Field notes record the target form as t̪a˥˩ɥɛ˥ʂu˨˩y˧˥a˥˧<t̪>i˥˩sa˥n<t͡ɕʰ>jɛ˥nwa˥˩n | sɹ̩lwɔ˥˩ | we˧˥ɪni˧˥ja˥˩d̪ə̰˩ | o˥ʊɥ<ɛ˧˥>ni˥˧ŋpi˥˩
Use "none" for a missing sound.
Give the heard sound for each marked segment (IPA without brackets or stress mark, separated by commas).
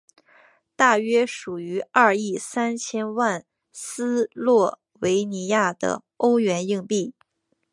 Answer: none, t͡ɕʰ, ɛ˧˥